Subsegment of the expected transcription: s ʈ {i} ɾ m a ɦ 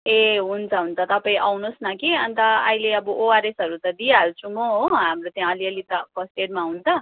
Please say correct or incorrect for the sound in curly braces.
incorrect